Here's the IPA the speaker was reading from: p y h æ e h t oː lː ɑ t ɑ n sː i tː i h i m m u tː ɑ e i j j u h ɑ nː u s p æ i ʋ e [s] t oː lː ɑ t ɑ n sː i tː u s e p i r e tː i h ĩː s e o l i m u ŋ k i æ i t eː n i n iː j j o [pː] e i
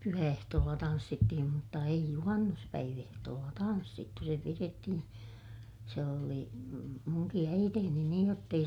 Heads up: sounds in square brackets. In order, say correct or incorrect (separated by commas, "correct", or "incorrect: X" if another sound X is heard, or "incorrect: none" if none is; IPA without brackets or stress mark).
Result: incorrect: h, incorrect: tː